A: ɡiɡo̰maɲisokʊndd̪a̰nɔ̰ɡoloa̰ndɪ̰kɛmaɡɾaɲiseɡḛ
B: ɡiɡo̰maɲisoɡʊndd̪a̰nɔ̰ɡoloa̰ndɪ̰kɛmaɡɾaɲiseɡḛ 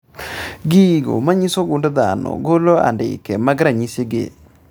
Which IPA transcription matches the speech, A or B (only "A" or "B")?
B